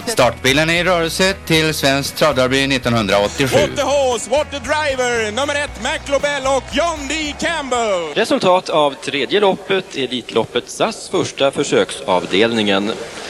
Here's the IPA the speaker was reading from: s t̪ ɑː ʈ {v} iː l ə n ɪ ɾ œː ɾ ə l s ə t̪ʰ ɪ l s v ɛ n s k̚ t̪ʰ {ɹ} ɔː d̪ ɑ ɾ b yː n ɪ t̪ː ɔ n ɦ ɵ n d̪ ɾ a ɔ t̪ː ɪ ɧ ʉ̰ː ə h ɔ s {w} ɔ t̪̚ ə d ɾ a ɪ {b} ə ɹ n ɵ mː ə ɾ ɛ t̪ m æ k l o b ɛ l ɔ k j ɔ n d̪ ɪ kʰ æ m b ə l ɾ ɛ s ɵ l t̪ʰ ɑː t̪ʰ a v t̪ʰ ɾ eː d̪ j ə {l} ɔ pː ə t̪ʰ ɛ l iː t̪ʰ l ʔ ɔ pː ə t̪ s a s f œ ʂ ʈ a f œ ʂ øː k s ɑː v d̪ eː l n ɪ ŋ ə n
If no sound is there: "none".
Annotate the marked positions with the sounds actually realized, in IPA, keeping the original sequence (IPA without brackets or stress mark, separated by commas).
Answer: b, ɾ, w, v, l